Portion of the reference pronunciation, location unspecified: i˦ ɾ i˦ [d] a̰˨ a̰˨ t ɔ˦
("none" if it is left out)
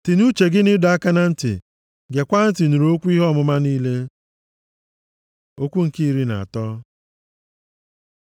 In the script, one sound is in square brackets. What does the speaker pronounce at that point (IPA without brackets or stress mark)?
n